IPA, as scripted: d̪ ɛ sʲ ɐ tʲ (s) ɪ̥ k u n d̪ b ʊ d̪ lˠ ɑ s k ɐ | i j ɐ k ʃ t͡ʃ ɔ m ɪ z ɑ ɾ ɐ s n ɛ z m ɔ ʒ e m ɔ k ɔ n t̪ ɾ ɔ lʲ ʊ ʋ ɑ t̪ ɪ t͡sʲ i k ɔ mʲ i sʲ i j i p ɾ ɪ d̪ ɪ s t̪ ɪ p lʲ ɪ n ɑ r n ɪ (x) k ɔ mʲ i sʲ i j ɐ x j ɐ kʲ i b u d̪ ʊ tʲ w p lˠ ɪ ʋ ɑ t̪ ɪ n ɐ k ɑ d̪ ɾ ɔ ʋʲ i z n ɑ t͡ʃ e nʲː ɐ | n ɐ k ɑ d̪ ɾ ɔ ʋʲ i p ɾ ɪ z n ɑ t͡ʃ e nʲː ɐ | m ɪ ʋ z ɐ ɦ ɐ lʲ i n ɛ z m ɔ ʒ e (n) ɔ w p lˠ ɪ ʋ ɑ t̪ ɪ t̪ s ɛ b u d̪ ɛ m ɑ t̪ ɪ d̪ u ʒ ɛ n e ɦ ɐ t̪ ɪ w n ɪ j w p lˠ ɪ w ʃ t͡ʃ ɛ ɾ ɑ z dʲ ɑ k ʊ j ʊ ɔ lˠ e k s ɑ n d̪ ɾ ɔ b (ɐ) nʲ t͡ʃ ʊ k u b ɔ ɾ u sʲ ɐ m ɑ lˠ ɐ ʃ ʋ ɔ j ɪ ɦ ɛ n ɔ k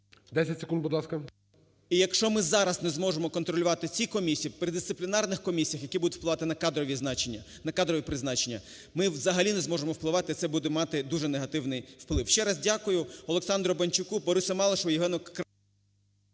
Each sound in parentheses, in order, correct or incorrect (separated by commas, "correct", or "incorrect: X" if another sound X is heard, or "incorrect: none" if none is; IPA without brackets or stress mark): correct, correct, incorrect: m, correct